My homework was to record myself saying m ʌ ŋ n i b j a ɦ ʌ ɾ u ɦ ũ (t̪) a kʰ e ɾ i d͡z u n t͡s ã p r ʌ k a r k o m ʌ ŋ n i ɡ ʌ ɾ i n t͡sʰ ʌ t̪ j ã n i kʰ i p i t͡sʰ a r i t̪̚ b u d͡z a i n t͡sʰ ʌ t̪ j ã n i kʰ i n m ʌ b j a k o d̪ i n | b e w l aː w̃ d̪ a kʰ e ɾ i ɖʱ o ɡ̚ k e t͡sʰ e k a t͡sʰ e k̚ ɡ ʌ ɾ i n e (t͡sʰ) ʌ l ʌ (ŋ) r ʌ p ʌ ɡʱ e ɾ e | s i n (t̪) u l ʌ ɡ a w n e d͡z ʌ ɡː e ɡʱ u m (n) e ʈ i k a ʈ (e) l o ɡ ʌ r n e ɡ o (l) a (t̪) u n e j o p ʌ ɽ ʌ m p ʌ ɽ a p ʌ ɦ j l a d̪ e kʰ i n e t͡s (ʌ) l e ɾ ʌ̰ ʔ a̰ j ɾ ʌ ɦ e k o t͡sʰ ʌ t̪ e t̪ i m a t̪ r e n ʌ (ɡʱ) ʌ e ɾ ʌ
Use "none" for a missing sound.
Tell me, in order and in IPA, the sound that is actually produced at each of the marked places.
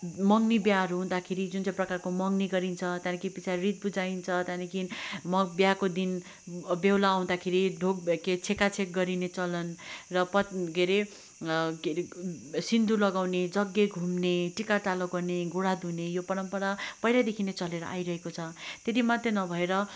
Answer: d̪, t͡s, n, d̪, n, a, ɽ, d̪, ʌ, bʱ

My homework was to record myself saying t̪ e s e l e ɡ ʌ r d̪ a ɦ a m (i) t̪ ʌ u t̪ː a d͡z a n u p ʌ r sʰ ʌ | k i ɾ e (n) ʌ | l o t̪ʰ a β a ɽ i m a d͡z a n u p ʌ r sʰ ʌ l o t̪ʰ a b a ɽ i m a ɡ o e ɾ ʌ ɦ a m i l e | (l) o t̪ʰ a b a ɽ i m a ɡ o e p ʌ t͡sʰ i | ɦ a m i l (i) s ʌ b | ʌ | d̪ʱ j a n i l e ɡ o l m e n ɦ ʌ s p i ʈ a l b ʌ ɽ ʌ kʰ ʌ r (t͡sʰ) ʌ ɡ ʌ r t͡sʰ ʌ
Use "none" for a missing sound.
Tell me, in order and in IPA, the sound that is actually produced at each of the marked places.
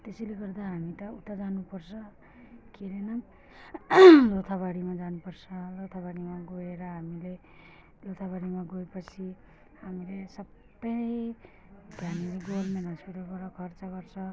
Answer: i, n, l, e, t͡s

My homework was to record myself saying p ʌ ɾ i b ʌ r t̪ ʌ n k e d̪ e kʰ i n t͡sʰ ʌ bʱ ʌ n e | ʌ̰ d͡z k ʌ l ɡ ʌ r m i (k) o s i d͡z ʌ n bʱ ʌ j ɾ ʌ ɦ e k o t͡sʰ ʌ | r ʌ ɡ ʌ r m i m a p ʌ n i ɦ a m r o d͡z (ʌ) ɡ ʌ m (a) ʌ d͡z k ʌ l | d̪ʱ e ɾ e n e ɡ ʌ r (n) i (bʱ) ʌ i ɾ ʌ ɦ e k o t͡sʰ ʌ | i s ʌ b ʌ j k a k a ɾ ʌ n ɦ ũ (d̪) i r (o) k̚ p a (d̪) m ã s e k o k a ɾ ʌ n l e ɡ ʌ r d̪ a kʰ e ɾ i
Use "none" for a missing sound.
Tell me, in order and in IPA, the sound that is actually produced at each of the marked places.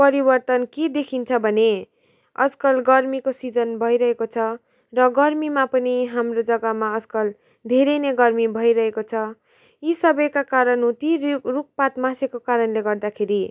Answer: k, ʌ, a, m, bʱ, t̪, u, t̪

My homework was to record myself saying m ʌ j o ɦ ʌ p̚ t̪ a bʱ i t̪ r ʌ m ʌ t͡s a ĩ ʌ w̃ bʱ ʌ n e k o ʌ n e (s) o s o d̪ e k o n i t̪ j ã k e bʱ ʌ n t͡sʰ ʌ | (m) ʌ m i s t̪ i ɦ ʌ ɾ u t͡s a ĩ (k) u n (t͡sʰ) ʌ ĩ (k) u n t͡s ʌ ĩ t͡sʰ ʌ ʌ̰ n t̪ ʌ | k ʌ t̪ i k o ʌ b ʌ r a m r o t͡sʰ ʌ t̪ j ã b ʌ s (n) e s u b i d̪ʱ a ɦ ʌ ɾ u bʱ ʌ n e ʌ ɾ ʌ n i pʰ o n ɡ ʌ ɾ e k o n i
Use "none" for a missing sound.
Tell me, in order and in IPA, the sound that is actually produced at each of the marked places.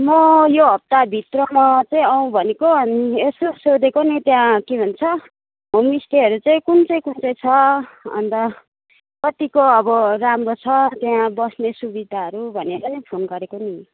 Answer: s, m, k, t͡s, k, n

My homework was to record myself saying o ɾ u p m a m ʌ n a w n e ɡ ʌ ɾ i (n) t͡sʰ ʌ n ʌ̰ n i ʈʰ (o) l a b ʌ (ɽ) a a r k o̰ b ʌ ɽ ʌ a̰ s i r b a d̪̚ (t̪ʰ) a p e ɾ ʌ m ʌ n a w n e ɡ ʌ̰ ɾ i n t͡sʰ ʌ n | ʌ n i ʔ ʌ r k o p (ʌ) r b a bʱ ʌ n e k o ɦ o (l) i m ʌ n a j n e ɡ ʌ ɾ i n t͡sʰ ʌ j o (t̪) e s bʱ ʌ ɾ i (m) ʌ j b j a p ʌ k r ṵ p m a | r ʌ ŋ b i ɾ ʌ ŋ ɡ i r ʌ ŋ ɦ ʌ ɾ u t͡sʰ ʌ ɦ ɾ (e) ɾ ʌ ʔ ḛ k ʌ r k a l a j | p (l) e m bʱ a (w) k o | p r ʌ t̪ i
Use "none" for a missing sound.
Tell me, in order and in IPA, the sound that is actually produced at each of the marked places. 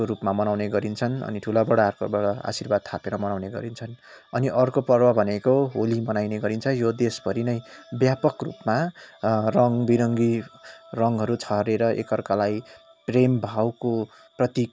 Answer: n, u, ɽ, t̪ʰ, ʌ, l, d̪, n, e, r, w

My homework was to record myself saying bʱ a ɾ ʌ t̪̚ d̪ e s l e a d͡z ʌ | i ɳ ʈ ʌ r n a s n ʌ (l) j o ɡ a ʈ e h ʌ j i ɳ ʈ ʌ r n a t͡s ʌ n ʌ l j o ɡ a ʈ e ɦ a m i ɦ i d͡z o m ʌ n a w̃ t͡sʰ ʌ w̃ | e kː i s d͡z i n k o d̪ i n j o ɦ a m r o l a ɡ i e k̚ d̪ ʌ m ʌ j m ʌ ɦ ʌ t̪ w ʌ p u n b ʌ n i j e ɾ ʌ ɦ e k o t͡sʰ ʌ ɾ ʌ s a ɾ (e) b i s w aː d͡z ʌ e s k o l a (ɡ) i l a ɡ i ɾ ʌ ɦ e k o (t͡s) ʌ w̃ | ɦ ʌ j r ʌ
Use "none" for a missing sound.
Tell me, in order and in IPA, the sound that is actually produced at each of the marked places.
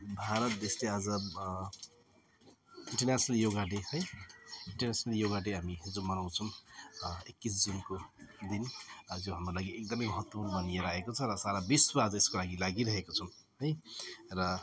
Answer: l, a, ɡ, t͡sʰ

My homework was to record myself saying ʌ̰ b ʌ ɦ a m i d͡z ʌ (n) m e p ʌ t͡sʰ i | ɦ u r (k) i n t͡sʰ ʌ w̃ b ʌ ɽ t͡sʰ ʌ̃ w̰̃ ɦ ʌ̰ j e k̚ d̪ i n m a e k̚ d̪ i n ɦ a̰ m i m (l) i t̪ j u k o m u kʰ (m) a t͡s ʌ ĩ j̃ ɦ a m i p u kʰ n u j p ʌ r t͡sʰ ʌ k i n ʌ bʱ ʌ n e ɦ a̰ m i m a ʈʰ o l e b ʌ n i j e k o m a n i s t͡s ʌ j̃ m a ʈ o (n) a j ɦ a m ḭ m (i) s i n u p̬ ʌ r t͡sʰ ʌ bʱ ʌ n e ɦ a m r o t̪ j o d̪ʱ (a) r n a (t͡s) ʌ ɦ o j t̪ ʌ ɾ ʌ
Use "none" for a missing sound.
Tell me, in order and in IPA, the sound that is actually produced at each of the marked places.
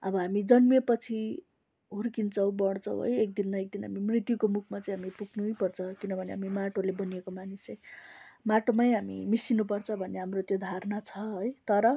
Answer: n, k, r, m, m, i, a, t͡sʰ

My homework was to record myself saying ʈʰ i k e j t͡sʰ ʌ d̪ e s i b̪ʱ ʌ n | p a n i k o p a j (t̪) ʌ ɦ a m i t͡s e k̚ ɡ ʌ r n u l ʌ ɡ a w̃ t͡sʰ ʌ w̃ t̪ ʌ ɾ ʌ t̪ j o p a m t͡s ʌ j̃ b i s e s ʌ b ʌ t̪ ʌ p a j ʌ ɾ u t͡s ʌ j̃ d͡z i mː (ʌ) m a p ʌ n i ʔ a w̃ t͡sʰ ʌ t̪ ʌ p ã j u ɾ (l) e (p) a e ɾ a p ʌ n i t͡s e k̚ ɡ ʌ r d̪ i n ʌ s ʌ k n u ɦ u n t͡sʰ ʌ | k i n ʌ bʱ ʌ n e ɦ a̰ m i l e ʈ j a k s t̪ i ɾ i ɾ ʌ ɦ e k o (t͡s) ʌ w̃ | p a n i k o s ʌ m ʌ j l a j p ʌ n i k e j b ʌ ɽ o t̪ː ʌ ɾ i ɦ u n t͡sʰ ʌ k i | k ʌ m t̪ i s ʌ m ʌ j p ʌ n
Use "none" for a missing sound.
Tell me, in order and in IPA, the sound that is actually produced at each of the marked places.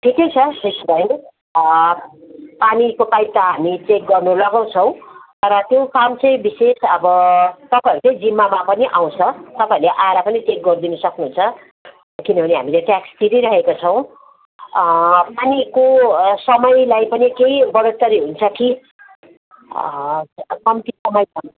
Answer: t̪, a, l, ʔ, t͡sʰ

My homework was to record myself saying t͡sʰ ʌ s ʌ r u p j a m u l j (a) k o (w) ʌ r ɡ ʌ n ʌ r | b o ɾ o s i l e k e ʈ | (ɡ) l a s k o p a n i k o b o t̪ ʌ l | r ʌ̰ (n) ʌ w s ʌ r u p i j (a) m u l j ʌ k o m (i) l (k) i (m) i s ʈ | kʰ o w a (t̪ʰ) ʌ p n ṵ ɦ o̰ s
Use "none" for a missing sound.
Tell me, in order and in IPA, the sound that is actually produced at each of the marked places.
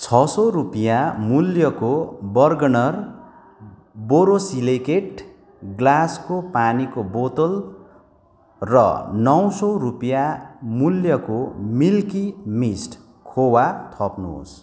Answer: ʌ, b, ɡ, n, a, i, k, m, t̪ʰ

